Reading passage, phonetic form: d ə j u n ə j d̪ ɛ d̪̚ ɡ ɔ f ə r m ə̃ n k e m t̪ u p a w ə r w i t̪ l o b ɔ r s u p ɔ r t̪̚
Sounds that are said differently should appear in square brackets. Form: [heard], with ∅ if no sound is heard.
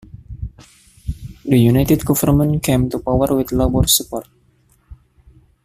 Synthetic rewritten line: d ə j u n [a] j [t̪] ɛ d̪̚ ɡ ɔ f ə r m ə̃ n k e m t̪ u p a w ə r w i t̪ l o b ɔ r s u p ɔ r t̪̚